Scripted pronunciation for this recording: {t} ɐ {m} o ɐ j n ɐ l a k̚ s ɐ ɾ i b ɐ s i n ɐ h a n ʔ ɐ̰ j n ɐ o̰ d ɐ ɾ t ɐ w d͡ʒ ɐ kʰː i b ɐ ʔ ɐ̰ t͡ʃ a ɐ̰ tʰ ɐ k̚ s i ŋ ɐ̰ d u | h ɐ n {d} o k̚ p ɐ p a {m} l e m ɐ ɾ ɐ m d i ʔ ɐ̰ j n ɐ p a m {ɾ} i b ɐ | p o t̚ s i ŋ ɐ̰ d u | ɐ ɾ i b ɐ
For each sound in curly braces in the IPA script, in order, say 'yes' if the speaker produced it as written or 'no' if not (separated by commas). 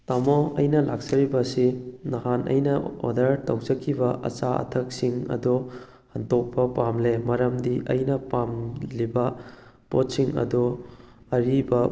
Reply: yes, yes, no, yes, no